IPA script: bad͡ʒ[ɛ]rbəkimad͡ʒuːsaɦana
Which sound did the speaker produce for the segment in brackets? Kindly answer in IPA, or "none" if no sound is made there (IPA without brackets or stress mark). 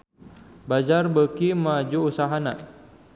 a